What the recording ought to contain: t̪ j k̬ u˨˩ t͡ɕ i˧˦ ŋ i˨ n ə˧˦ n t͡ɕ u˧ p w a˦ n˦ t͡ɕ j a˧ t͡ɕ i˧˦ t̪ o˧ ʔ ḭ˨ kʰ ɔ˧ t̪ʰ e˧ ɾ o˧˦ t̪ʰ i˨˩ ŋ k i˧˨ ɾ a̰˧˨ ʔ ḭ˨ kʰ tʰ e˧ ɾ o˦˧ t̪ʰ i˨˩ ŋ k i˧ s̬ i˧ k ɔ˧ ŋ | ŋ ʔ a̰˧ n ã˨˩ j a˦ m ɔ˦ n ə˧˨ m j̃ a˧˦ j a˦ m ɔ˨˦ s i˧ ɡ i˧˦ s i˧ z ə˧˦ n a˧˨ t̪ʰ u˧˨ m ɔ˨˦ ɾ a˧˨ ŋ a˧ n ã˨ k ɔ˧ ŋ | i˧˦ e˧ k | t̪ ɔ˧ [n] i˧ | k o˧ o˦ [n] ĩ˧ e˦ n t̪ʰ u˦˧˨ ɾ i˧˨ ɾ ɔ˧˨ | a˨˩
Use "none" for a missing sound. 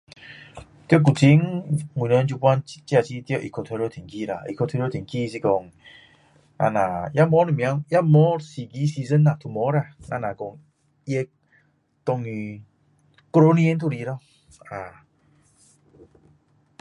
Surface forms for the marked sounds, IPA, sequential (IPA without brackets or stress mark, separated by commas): ŋ, n